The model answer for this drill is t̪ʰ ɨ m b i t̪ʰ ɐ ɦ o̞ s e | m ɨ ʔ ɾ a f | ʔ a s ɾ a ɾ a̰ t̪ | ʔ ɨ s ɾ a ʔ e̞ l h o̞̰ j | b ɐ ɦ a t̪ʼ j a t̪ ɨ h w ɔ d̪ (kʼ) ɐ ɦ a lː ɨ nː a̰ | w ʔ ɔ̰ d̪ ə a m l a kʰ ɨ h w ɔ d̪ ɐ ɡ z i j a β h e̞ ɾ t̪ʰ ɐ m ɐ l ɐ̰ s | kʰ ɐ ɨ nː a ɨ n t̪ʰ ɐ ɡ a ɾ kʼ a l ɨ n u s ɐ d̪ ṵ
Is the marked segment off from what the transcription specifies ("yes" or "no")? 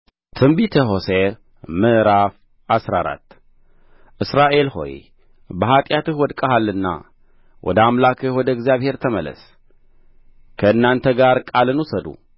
no